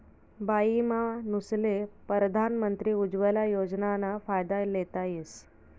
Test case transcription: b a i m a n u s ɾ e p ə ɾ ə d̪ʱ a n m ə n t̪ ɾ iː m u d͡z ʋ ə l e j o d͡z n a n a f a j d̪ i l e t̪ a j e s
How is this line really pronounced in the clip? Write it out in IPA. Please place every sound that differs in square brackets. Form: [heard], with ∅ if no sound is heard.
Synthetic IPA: b a i m a n u s [l] e p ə ɾ ə d̪ʱ a n m ə n t̪ ɾ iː [∅] u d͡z ʋ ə l [a] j o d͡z n a n a f a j d̪ [a] l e t̪ a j e s